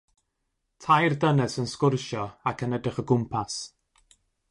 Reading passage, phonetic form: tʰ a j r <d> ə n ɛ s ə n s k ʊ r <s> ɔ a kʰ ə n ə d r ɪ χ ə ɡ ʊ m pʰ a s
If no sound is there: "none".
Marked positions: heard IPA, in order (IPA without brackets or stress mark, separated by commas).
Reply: d, ʃ